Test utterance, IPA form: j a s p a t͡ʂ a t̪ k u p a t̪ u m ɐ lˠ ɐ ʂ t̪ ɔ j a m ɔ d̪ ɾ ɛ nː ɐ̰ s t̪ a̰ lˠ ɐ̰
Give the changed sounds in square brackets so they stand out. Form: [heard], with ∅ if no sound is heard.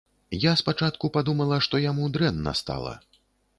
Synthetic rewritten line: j a s p a t͡ʂ a t̪ k u p a [d̪] u m ɐ lˠ ɐ ʂ t̪ ɔ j a m [u] d̪ ɾ ɛ nː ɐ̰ s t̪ a̰ lˠ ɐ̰